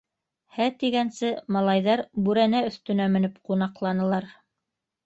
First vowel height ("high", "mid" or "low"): low